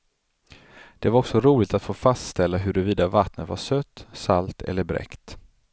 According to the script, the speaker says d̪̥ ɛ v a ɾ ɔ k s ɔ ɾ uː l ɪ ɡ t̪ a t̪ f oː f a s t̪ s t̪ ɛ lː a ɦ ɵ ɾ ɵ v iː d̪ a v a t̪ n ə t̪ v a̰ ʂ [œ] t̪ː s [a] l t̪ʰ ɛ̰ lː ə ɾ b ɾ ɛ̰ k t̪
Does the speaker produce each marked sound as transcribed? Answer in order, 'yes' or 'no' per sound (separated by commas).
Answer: yes, yes